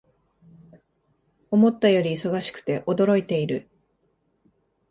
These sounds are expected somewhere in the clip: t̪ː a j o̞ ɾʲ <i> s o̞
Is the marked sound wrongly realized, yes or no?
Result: yes